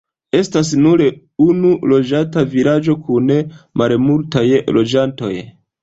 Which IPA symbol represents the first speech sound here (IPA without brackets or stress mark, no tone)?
e̞